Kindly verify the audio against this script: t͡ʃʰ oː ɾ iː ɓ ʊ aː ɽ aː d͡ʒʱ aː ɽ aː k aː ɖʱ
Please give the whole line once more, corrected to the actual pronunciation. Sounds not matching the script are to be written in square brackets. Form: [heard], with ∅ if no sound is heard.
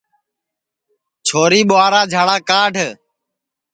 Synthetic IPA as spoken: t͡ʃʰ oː ɾ iː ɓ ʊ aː [ɾ] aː d͡ʒʱ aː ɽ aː k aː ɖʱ